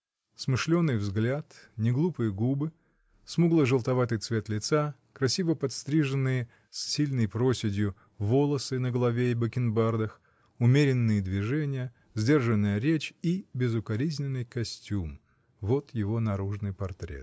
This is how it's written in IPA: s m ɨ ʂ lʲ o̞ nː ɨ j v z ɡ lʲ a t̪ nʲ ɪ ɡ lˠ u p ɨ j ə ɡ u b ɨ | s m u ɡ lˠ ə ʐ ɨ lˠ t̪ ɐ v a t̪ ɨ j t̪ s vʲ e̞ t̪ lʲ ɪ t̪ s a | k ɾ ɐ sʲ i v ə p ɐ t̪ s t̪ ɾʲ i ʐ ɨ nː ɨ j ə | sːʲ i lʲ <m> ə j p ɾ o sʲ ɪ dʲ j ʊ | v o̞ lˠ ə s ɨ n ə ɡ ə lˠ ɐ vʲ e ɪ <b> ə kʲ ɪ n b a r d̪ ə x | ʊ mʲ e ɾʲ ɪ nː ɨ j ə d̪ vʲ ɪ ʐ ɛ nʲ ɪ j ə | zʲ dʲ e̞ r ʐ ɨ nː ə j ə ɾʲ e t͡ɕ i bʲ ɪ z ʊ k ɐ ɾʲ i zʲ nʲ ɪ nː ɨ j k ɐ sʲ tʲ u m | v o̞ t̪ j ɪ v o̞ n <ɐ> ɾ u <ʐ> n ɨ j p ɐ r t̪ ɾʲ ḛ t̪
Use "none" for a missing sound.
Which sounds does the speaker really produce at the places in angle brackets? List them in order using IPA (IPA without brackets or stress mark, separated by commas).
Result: n, b, ɐ, ʐ